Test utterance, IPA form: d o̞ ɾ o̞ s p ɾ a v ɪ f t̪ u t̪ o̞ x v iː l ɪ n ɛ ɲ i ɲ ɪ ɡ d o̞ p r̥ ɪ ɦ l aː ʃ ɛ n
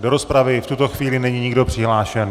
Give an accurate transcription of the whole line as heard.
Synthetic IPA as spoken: d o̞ ɾ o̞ s p ɾ a v ɪ f t̪ u t̪ o̞ x v iː l ɪ n ɛ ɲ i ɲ ɪ ɡ d o̞ p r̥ ɪ ɦ l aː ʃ ɛ n

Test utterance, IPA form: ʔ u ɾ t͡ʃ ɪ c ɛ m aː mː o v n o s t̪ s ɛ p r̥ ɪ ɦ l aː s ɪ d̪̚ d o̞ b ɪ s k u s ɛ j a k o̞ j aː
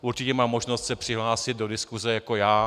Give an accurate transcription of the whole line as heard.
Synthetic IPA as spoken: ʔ u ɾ t͡ʃ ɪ c ɛ m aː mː o ʒ n o s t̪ s ɛ p r̥ ɪ ɦ l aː s ɪ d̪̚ d o̞ d ɪ s k u z ɛ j a k o̞ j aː

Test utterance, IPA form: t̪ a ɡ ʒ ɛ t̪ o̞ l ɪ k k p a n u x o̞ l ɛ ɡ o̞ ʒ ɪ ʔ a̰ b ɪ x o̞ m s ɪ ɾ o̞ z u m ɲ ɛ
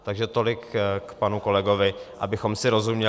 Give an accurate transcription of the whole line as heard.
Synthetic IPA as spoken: t̪ a ɡ ʒ ɛ t̪ o̞ l ɪ k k p a n u k o̞ l ɛ ɡ o̞ v ɪ ʔ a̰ b ɪ x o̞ m s ɪ ɾ o̞ z u m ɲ ɛ

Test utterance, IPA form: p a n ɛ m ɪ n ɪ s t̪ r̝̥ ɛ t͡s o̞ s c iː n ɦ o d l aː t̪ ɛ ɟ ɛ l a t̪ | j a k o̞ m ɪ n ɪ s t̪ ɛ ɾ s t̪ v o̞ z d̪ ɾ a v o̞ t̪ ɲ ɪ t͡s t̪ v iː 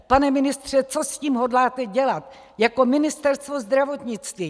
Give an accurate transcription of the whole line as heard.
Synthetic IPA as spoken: p a n ɛ m ɪ n ɪ s t̪ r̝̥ ɛ t͡s o̞ s c iː m ɦ o d l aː t̪ ɛ ɟ ɛ l a t̪ | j a k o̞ m ɪ n ɪ s t̪ ɛ ɾ s t̪ v o̞ z d̪ ɾ a v o̞ t̪ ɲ ɪ t͡s t̪ v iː

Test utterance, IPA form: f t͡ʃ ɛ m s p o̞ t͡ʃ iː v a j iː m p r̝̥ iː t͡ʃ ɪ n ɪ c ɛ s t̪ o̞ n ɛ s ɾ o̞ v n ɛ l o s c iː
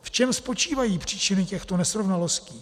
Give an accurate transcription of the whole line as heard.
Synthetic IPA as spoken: f t͡ʃ ɛ m s p o̞ t͡ʃ iː v a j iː p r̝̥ iː t͡ʃ ɪ n ɪ c ɛ x t̪ o̞ n ɛ s ɾ o̞ v n a l o s c iː

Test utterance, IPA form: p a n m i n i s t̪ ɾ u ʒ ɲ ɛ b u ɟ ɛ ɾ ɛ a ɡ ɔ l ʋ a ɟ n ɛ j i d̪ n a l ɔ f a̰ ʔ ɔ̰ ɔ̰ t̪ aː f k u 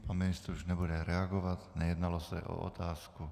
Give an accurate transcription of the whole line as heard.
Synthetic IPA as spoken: p a n m i n i s t̪ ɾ u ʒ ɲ ɛ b u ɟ ɛ ɾ ɛ a ɡ ɔ ʋ a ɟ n ɛ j ɛ d̪ n a l ɔ s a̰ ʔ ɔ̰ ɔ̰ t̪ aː s k u

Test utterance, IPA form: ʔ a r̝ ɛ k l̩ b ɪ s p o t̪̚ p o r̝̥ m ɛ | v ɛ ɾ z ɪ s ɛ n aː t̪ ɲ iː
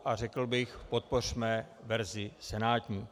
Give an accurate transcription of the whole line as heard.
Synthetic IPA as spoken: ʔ a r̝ ɛ k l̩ b ɪ x p o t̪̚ p o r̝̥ m ɛ | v ɛ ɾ z ɪ s ɛ n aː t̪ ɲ iː

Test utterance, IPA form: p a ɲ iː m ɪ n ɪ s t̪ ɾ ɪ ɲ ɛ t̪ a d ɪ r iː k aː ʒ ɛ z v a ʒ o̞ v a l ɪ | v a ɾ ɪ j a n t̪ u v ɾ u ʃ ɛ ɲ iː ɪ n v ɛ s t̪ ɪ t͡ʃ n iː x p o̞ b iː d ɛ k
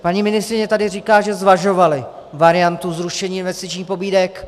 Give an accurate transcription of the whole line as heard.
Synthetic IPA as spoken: p a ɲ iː m ɪ n ɪ s t̪ ɾ ɪ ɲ ɛ t̪ a d ɪ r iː k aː ʒ ɛ z v a ʒ o̞ v a l ɪ | v a ɾ ɪ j a n t̪ u z ɾ u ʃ ɛ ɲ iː ɪ n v ɛ s t̪ ɪ t͡ʃ ɲ iː x p o̞ b iː d ɛ k

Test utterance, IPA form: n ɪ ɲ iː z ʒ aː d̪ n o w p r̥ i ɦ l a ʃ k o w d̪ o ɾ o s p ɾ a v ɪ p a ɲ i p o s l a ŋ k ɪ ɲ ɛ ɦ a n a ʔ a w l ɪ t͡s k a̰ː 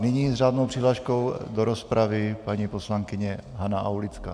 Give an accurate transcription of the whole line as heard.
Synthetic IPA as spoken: n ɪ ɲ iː z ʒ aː d̪ n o w p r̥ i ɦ l a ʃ k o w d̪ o ɾ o s p ɾ a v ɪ p a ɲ i p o s l a ŋ k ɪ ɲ ɛ ɦ a n a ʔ a w l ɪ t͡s k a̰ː

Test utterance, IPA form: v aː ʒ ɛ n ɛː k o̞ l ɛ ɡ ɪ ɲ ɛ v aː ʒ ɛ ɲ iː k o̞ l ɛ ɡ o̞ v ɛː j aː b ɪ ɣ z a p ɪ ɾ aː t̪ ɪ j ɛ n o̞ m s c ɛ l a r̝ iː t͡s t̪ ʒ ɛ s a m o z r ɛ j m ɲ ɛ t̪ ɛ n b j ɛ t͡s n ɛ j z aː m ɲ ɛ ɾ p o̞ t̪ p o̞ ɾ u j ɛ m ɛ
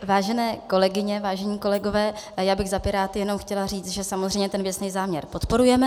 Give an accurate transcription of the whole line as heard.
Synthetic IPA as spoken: v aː ʒ ɛ n ɛː k o̞ l ɛ ɡ ɪ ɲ ɛ v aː ʒ ɛ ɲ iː k o̞ l ɛ ɡ o̞ v ɛː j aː b ɪ ɣ z a p ɪ ɾ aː t̪ ɪ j ɛ n o̞ m x c ɛ l a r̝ iː t͡s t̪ ʒ ɛ s a m o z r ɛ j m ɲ ɛ t̪ ɛ n v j ɛ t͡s n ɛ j z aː m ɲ ɛ ɾ p o̞ t̪ p o̞ ɾ u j ɛ m ɛ

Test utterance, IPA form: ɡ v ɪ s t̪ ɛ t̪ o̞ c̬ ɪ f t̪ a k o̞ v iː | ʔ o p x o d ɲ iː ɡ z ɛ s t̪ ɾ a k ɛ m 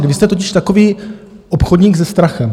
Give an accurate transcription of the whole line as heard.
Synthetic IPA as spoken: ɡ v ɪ s t̪ ɛ t̪ o̞ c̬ ɪ ʃ t̪ a k o̞ v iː | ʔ o p x o d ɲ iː ɡ z ɛ s t̪ ɾ a x ɛ m

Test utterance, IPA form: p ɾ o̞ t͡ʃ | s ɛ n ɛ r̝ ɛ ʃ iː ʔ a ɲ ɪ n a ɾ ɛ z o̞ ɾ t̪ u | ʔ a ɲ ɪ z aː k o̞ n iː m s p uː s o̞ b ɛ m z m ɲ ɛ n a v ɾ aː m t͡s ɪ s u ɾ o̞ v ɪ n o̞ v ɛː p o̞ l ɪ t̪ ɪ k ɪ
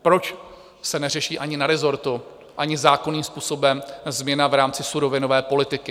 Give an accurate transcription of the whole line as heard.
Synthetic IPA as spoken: p ɾ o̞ t͡ʃ | s ɛ n ɛ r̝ ɛ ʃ iː ʔ a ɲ ɪ n a ɾ ɛ z o̞ ɾ t̪ u | ʔ a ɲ ɪ z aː k o̞ n iː m s p uː s o̞ b ɛ m z m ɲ ɛ n a v ɾ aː m t͡s ɪ s u ɾ o̞ v ɪ n o̞ v ɛː p o̞ l ɪ t̪ ɪ k ɪ

